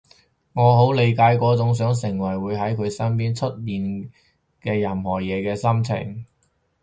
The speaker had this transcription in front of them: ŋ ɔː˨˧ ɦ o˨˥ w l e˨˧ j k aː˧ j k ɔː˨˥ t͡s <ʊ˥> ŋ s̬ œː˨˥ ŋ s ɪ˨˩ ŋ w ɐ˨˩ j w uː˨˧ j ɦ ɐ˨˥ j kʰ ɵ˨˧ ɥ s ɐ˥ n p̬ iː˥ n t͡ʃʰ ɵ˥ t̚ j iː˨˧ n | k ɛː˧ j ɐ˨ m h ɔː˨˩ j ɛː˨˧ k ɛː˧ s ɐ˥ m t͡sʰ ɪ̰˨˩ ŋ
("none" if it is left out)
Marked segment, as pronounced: ʊ˨˥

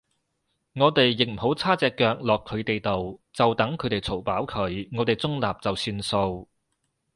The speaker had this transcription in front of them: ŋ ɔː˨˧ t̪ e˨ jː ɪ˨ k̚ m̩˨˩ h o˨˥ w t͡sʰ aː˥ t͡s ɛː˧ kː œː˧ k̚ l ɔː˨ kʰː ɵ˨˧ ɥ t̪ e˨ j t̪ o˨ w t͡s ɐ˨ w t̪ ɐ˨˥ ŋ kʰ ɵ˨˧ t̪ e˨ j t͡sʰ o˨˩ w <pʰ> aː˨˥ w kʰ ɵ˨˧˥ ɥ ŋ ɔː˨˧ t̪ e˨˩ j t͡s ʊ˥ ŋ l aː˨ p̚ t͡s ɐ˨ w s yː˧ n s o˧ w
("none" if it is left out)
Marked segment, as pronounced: p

